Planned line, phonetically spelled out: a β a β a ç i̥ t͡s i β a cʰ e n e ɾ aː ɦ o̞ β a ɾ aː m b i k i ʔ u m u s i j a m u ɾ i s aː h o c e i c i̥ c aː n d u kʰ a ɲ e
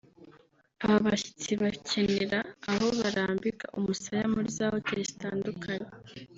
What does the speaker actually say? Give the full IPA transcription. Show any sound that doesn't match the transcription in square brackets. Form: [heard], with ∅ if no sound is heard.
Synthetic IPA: a β a β a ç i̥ t͡s i β a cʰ e n e ɾ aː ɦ o̞ β a ɾ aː m b i k [a] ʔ u m u s [a] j a m u ɾ i [z] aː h o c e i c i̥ [t] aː n d u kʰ a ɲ e